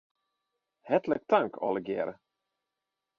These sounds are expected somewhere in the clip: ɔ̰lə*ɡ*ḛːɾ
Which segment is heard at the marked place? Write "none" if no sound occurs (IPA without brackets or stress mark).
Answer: ɡ